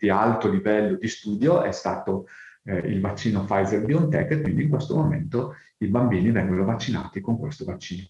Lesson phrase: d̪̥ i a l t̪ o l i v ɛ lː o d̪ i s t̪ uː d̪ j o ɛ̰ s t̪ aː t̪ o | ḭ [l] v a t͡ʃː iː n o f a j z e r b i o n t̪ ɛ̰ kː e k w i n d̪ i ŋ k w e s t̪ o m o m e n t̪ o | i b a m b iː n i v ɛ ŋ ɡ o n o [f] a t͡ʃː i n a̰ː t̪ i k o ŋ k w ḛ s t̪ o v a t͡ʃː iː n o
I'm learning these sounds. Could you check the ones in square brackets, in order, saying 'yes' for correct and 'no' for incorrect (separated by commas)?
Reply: yes, no